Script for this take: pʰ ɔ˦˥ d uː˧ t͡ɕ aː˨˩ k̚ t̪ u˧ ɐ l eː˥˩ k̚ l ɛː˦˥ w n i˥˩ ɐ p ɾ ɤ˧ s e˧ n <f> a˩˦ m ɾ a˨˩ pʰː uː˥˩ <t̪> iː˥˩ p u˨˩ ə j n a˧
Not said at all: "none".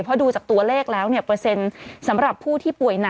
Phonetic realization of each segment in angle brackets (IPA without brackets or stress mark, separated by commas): s, t̪ʰ